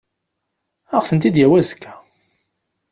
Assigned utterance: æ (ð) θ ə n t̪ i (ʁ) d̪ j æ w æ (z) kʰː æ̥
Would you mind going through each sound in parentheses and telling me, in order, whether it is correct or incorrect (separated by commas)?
incorrect, incorrect, correct